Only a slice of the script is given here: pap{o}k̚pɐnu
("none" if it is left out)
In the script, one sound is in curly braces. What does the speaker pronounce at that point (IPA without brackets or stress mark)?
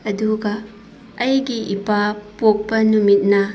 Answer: o